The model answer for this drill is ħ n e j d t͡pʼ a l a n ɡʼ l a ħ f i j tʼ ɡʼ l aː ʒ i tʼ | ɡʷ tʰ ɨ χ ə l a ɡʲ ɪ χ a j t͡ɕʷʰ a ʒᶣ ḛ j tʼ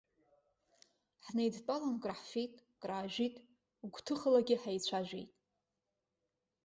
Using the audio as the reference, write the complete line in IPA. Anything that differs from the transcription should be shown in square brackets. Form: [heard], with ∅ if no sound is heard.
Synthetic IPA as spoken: ħ n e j d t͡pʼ a l a n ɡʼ [r] a ħ f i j tʼ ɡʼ [r] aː ʒ i tʼ | ɡʷ tʰ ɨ χ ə l a ɡʲ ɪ [ħ] a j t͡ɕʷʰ a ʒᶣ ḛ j tʼ